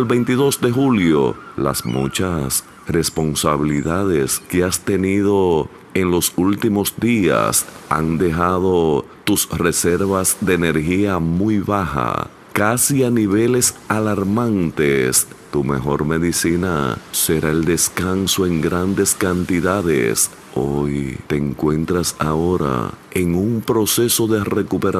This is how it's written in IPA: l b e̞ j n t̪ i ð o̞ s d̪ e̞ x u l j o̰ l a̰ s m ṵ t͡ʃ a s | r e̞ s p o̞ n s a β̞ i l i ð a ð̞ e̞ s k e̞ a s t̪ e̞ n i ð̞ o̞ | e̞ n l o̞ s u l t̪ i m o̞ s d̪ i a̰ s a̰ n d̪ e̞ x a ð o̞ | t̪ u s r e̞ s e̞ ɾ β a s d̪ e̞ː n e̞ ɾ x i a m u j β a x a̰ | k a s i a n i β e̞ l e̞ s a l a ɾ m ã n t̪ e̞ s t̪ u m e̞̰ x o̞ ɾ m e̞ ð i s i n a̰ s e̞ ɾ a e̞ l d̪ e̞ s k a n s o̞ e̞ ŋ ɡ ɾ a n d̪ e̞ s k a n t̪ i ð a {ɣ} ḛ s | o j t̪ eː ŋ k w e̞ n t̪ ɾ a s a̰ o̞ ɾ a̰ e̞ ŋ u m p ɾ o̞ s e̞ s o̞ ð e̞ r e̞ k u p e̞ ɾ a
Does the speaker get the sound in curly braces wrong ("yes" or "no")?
yes